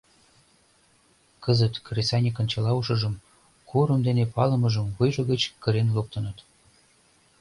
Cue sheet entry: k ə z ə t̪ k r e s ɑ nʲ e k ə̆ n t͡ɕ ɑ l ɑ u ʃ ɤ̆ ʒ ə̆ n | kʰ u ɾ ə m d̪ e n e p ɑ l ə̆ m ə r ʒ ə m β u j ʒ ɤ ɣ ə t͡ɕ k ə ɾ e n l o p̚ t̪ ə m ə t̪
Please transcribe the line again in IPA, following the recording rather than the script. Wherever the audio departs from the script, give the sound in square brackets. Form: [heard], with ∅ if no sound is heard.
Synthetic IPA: k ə z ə t̪ k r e s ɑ nʲ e k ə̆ n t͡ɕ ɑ l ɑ u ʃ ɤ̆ ʒ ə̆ [m] | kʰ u ɾ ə m d̪ e n e p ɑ l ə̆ m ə [∅] ʒ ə m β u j ʒ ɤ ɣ ə t͡ɕ k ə ɾ e n l o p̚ t̪ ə [n] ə t̪